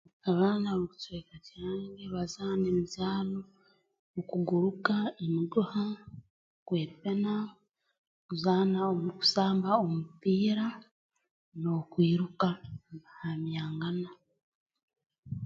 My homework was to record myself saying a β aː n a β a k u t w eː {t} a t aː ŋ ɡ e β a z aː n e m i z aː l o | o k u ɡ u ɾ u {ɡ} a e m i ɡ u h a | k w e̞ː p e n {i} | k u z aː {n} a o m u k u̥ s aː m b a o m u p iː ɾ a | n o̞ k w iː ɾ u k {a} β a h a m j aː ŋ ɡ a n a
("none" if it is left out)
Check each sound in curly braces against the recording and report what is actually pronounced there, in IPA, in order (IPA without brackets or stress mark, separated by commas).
k, k, a, n, a